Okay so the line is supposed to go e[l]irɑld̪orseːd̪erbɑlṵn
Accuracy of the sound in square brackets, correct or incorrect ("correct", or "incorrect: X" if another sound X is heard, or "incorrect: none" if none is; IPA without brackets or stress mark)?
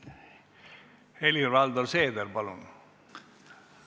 correct